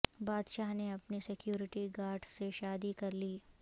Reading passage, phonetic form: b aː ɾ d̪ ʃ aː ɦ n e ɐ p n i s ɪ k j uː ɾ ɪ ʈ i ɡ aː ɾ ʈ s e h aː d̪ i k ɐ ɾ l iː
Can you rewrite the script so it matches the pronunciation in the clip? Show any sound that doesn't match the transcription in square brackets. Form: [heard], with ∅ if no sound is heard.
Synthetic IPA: b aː [∅] d̪ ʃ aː ɦ n e ɐ p n i s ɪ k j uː ɾ ɪ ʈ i ɡ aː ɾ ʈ s e [ʃ] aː d̪ i k ɐ ɾ l iː